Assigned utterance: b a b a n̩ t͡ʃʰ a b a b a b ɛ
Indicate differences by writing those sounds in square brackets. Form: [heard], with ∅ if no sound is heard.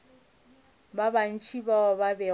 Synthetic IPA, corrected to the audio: b a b a n̩ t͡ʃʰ [i] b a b a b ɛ